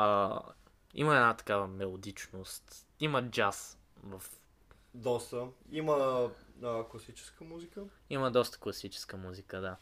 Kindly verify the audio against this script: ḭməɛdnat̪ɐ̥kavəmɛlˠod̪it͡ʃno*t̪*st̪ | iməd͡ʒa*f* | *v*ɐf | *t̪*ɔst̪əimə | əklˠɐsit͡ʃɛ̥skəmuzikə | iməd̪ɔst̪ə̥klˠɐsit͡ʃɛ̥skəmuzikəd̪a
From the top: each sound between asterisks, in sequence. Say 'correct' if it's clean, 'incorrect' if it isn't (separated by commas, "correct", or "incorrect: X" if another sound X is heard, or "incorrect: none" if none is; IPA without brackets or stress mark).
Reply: incorrect: none, incorrect: s, correct, incorrect: d̪